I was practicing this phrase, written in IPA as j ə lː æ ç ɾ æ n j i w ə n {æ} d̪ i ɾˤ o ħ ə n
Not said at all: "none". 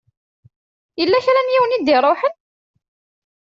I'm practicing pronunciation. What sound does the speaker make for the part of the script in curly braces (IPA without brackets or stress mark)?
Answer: i